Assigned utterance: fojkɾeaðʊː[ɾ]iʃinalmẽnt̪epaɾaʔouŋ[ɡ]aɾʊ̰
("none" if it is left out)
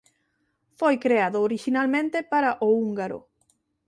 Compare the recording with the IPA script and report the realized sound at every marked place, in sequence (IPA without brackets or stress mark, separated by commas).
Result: ɾ, ɡ